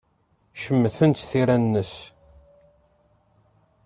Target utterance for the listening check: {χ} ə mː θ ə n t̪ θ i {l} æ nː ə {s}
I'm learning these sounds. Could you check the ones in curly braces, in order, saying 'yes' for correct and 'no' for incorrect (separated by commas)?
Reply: no, no, yes